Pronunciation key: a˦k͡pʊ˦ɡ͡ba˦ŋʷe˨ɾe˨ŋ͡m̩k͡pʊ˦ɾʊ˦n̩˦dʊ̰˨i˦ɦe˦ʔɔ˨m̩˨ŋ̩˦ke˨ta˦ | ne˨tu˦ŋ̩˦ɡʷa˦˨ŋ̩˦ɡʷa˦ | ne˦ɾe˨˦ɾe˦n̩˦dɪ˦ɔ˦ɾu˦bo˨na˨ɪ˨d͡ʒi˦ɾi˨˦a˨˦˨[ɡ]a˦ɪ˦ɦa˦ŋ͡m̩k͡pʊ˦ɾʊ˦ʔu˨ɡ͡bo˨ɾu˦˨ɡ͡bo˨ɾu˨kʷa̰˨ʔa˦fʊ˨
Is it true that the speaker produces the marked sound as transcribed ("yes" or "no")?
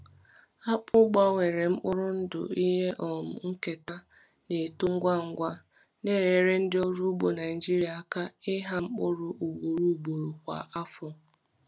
no